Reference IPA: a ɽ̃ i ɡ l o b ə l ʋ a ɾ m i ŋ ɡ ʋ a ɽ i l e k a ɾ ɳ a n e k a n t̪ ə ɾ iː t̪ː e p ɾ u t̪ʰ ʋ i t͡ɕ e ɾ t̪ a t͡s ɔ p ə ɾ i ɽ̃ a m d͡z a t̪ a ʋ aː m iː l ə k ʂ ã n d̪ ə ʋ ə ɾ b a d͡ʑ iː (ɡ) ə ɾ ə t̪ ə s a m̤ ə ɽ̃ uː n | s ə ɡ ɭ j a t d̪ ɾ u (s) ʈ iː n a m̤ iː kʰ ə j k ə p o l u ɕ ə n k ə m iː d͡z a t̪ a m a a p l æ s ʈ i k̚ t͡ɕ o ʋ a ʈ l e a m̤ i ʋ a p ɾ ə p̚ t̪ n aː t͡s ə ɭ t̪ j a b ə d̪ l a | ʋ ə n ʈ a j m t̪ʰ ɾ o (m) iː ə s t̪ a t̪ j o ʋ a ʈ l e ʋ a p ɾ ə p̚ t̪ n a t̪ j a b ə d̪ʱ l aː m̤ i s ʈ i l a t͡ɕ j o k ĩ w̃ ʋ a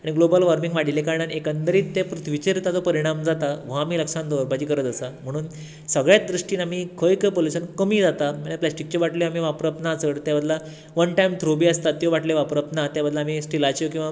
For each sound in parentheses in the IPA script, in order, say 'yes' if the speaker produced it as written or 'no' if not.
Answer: no, no, no

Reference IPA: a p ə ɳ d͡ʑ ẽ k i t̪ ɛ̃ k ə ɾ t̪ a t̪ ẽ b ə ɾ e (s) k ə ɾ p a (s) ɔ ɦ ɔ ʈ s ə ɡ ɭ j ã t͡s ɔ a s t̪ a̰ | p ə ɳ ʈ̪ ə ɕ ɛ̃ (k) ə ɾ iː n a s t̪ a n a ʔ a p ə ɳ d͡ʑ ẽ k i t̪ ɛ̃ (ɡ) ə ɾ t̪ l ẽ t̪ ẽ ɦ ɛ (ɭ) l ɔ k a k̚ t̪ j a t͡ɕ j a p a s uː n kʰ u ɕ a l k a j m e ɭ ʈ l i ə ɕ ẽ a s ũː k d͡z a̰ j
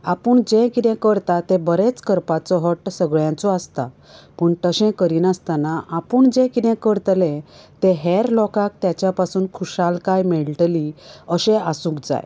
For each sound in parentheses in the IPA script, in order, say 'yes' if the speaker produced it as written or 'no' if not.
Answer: no, no, yes, no, no

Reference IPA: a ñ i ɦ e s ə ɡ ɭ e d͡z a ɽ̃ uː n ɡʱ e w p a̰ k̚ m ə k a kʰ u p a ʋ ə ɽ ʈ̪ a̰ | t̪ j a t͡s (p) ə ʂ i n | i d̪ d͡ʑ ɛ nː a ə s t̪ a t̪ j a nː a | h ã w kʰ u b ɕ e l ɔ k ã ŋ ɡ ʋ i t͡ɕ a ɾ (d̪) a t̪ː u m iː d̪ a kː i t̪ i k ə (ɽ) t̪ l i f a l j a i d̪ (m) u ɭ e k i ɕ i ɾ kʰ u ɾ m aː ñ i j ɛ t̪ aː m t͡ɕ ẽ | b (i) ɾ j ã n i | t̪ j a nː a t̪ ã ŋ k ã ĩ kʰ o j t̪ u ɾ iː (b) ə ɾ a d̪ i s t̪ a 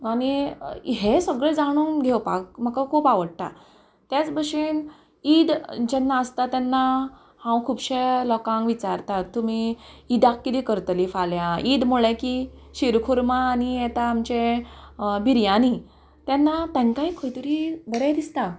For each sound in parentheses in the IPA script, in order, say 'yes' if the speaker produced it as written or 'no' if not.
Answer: no, no, no, yes, yes, yes

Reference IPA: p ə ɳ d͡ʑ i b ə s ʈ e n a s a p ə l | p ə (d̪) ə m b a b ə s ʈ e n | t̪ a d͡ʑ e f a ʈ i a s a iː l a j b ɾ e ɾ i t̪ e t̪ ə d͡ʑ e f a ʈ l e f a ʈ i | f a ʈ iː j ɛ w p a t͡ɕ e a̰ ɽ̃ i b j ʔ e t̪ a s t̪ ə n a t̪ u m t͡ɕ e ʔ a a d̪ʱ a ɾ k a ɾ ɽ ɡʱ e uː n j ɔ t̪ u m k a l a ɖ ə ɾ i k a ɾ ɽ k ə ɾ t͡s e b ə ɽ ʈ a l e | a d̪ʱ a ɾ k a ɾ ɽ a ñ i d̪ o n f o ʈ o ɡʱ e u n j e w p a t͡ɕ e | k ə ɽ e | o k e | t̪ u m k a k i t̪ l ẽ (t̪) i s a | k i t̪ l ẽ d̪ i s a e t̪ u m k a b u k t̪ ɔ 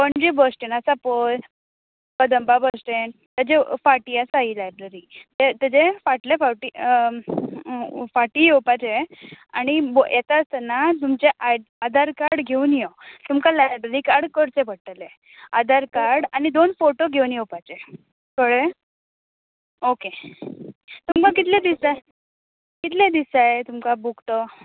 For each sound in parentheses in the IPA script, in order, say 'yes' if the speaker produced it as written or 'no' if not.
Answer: yes, no

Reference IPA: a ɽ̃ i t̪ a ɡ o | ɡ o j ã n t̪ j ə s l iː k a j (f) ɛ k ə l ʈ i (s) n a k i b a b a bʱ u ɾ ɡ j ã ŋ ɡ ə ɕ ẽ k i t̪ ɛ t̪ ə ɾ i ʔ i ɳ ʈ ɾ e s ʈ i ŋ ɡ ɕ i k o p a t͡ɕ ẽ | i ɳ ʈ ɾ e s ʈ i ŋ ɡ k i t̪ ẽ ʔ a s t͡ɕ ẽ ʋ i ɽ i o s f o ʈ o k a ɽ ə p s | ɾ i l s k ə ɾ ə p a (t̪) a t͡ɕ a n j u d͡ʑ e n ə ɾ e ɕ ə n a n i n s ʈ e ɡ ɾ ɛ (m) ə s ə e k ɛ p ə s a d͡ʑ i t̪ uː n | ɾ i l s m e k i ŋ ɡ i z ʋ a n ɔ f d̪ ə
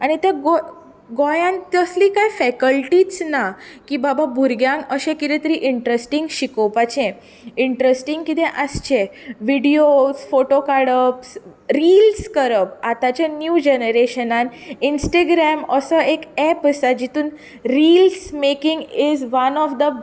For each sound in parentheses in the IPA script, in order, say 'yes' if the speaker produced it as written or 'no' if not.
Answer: yes, no, yes, yes

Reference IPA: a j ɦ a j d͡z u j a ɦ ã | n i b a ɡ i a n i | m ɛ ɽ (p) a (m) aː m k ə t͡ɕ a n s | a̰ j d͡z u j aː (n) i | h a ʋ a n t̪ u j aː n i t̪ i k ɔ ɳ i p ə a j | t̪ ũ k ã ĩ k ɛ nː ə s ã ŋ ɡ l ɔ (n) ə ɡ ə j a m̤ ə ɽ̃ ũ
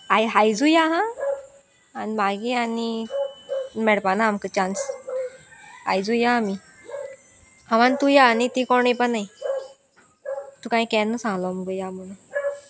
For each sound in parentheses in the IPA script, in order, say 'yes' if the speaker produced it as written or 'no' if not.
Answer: yes, no, no, no

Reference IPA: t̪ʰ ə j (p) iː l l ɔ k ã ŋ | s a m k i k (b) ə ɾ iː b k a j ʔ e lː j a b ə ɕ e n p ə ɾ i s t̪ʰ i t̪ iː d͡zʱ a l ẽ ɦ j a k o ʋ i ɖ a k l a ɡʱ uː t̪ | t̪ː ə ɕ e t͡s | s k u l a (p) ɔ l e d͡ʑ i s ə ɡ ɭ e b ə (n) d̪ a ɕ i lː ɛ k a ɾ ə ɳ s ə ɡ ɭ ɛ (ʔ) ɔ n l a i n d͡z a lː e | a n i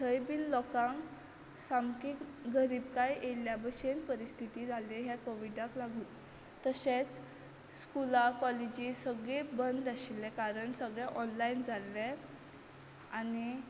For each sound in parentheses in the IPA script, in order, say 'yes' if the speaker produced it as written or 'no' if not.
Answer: no, no, no, yes, yes

